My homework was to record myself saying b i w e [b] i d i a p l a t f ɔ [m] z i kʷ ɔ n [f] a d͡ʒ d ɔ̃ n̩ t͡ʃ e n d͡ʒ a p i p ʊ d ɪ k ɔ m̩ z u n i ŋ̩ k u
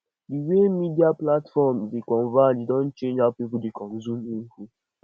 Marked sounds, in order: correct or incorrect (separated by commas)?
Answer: incorrect, correct, incorrect